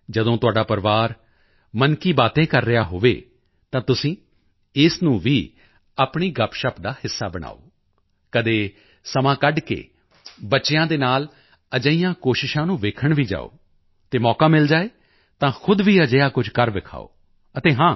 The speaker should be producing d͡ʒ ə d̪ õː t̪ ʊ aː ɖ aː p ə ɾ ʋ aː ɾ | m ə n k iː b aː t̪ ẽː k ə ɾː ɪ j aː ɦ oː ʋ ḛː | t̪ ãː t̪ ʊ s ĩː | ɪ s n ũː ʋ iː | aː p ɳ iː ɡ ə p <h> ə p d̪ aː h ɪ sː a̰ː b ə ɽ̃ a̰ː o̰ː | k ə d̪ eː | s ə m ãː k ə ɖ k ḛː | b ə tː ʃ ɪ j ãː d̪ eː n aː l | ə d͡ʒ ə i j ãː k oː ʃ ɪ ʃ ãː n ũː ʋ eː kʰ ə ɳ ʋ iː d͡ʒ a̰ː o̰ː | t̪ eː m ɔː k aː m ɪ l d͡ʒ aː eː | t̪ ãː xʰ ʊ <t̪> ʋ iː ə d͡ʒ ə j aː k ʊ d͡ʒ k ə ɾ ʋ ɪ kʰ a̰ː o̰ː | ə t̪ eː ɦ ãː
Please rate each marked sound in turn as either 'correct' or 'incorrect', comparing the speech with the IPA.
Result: incorrect, incorrect

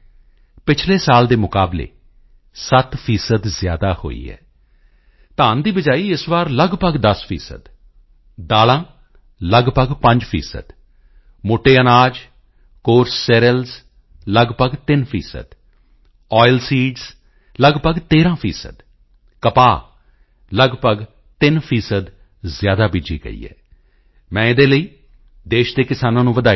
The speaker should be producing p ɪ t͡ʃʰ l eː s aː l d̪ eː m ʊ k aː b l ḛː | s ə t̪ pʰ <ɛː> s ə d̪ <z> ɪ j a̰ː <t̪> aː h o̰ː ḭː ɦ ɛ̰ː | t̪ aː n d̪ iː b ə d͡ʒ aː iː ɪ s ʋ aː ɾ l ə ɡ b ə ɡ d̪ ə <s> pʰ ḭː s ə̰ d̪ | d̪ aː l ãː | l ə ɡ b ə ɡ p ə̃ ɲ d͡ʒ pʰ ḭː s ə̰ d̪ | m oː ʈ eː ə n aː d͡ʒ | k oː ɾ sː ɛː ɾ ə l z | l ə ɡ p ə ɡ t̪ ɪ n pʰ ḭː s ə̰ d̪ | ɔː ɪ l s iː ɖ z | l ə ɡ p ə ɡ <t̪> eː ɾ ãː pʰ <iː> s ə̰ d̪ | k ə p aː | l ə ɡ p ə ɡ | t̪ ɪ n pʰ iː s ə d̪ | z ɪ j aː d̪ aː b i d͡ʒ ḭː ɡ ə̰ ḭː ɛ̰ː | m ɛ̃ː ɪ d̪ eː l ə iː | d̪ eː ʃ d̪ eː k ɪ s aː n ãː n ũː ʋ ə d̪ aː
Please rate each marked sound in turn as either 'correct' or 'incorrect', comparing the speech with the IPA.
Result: incorrect, correct, incorrect, correct, correct, correct

